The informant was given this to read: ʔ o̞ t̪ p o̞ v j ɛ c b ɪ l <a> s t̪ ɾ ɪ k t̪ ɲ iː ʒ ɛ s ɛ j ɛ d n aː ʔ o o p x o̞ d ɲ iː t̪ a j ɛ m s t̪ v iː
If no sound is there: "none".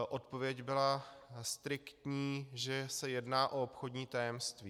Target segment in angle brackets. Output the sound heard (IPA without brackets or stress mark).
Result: a